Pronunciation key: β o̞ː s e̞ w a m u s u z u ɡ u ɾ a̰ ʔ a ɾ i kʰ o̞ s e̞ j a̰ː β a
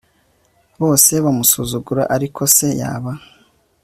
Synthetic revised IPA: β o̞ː s e̞ β a m u s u z u ɡ u ɾ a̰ ʔ a ɾ i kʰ o̞ s e̞ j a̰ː β a